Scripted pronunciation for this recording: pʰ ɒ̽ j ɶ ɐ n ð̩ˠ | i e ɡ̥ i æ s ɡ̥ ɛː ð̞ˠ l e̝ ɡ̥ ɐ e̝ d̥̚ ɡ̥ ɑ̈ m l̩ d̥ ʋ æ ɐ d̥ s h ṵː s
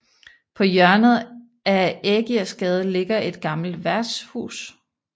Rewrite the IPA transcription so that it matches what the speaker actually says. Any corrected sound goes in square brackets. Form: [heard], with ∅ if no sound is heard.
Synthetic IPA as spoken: pʰ ɒ̽ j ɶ ɐ n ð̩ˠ | [æ] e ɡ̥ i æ s ɡ̥ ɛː ð̞ˠ l e̝ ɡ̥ ɐ e̝ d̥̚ ɡ̥ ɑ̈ m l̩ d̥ ʋ æ ɐ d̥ s h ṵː s